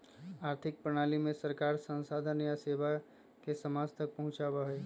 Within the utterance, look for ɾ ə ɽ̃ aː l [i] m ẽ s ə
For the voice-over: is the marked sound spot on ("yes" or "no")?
yes